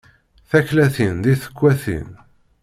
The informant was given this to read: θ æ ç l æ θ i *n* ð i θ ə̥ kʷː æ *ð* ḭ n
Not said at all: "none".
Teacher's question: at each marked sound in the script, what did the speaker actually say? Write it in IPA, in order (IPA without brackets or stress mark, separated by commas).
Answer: n, θ